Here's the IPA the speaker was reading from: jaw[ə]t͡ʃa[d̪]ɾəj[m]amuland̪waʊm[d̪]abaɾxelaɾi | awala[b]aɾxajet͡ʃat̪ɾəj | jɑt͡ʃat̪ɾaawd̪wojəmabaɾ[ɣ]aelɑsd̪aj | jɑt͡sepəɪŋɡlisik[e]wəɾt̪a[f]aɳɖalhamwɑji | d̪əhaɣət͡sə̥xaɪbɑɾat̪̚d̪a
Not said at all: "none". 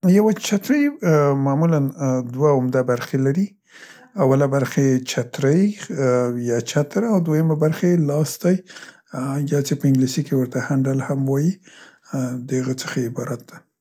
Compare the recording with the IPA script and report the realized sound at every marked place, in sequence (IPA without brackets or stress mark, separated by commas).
a, t̪, m, d̪, b, x, e, h